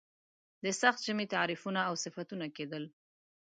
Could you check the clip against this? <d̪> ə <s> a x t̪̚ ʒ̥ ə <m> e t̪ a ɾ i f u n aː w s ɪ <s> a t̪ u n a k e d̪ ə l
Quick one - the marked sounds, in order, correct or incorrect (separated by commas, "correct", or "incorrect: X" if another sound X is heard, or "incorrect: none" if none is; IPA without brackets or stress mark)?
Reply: correct, correct, correct, incorrect: f